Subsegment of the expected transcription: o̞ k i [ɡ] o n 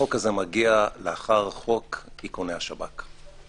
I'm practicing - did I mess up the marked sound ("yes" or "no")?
yes